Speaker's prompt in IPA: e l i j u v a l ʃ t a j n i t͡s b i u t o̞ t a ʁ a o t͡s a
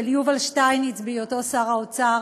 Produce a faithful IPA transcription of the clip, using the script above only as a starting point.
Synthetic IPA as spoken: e l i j u v a l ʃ t a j n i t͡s b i o t o̞ s a ʁ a o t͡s a